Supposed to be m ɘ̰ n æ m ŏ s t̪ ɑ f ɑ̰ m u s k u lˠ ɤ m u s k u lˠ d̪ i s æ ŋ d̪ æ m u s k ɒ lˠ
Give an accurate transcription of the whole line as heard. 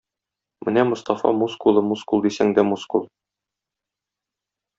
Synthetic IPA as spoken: m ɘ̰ n æ m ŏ s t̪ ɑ f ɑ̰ m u s k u lˠ ɤ m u s k u lˠ d̪ i s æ ŋ d̪ æ m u s k u lˠ